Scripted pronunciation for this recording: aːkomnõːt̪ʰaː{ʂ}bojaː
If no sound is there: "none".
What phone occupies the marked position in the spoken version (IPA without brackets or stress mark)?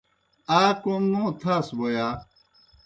s